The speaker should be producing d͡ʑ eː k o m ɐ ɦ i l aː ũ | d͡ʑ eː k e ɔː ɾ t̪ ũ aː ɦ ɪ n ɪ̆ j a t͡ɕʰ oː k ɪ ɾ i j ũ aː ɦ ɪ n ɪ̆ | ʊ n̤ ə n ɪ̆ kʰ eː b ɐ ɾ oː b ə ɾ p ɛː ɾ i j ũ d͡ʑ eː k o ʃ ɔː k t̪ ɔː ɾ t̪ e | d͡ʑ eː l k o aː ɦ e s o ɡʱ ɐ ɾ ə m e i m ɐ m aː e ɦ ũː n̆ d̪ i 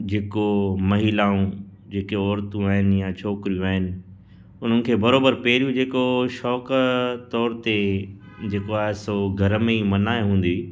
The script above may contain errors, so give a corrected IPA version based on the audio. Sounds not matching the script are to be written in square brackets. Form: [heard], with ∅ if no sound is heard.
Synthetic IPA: d͡ʑ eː k o m ɐ ɦ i l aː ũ | d͡ʑ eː k e ɔː ɾ t̪ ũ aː ɦ ɪ n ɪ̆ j a t͡ɕʰ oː k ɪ ɾ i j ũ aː ɦ ɪ n ɪ̆ | ʊ n̤ ə n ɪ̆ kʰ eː b ɐ ɾ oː b ə ɾ p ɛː ɾ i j ũ d͡ʑ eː k o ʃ ɔː k t̪ ɔː ɾ t̪ e | d͡ʑ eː [∅] k o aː ɦ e s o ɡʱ ɐ ɾ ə m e i m ɐ [n] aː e ɦ ũː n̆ d̪ i